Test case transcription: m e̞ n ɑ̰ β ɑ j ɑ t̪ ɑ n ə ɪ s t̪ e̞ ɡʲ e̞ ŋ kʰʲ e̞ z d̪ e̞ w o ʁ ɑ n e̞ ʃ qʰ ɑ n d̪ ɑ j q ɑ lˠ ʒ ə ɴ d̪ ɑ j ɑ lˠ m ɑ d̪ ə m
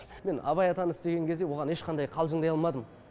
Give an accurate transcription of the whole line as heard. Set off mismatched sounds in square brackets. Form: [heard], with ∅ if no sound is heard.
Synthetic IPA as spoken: m e̞ n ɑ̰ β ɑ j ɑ t̪ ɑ n ə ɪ s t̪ e̞ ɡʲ e̞ ŋ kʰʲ e̞ z d̪ e̞ w o ʁ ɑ n e̞ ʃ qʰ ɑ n d̪ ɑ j [qʰ] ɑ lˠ ʒ ə ɴ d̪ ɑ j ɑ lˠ m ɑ d̪ ə m